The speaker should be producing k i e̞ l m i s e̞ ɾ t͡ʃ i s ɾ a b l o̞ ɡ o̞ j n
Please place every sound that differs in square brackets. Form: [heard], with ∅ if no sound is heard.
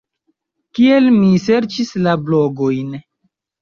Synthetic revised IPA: k i e̞ l m i s e̞ ɾ t͡ʃ i s [l] a b l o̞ ɡ o̞ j n